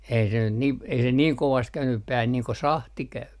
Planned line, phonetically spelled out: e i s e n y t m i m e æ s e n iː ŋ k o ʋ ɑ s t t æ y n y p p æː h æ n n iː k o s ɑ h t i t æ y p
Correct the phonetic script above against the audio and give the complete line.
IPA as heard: e i s e n y t n i m e i s e n iː ŋ k o ʋ ɑ s t k æ y n y p p æː h æ n n iː k o s ɑ h t i k æ y p